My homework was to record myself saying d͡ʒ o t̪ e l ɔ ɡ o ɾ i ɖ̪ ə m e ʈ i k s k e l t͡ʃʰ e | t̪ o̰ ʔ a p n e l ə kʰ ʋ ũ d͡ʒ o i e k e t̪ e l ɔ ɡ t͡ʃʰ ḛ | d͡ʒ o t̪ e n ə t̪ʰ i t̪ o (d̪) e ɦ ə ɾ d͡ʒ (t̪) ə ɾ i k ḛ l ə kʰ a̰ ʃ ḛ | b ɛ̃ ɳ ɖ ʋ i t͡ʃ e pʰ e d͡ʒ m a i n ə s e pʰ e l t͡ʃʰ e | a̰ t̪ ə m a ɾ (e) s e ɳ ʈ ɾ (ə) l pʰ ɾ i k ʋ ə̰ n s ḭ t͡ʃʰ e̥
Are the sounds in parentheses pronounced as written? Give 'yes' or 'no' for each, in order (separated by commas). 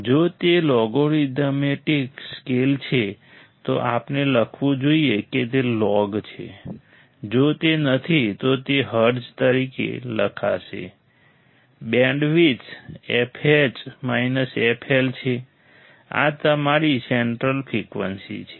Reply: no, yes, no, yes